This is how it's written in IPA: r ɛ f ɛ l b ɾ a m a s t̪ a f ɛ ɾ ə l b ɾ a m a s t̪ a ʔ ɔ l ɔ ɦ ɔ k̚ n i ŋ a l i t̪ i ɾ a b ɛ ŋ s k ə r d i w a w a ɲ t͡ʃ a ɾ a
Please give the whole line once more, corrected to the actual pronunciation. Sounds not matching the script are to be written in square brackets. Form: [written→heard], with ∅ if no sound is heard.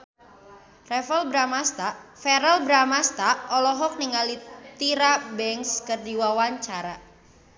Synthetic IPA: r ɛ f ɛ l b ɾ a m a s t̪ a f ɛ ɾ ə l b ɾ a m a s t̪ a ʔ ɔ l ɔ ɦ ɔ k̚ n i ŋ a l i t̪ i ɾ a b ɛ ŋ s k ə r d i w a w a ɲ t͡ʃ a ɾ a